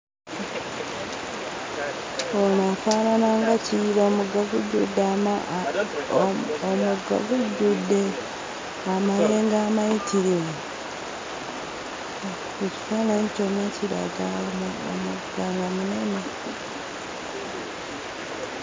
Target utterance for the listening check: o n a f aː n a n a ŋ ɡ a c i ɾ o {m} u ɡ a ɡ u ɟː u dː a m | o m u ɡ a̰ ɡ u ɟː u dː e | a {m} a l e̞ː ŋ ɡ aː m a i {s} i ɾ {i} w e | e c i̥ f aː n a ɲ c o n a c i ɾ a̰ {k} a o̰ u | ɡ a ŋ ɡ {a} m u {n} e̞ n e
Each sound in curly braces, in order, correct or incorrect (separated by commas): correct, correct, incorrect, correct, incorrect, correct, correct